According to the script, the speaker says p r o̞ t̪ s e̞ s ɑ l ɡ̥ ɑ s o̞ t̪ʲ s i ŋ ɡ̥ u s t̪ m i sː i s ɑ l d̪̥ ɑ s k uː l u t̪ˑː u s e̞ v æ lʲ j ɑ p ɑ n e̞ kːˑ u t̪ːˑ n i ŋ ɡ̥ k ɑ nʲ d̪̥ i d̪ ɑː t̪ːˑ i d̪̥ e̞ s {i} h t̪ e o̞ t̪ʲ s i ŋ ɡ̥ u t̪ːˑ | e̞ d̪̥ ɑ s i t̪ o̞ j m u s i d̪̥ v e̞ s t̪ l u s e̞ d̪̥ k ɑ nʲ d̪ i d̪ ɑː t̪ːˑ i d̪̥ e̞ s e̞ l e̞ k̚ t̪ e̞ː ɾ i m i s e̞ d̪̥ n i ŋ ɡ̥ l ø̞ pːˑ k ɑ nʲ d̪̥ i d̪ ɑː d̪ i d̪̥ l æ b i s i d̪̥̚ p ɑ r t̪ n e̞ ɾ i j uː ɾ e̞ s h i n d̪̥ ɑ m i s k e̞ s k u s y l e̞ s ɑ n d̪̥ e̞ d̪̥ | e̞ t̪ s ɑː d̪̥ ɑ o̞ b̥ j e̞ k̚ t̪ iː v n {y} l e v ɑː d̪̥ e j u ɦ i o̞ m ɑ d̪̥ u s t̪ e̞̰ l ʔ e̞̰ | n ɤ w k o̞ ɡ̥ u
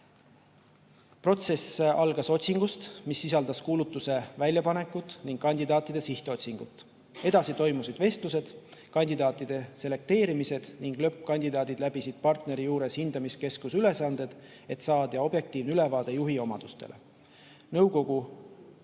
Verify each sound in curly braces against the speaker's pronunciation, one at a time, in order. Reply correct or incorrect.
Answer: correct, correct

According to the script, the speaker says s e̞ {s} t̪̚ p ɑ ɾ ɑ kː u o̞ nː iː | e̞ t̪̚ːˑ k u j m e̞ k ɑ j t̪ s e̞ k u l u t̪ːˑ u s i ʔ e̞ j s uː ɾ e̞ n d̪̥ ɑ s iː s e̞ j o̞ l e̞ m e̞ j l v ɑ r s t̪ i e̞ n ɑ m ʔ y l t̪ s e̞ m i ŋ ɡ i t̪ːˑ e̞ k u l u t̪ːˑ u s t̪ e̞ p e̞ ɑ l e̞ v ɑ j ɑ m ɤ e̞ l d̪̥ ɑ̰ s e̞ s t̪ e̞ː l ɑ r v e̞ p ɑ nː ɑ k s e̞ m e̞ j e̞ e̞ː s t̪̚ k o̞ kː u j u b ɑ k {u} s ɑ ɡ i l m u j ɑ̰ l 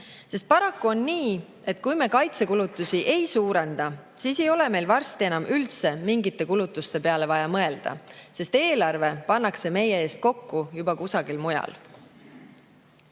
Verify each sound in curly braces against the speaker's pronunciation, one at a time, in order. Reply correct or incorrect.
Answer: correct, correct

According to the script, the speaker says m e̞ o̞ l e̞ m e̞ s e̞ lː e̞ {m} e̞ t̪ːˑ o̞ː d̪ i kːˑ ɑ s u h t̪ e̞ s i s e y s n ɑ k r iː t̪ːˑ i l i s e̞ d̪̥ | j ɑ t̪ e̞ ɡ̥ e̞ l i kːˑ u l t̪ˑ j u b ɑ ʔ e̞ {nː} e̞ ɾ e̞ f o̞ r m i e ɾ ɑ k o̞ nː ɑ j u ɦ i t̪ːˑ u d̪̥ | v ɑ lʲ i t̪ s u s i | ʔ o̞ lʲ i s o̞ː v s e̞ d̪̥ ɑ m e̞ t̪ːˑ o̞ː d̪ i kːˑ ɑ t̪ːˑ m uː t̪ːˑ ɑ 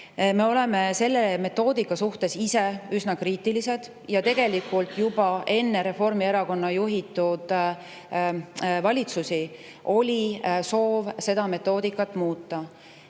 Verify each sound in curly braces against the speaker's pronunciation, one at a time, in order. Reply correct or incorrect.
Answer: correct, correct

